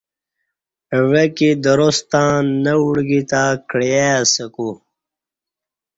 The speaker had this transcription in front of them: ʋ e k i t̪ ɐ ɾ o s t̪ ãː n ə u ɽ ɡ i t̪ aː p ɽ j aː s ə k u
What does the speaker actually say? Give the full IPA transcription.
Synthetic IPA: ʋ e k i d̪ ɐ ɾ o s t̪ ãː n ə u ɽ ɡ i t̪ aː k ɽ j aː s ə k u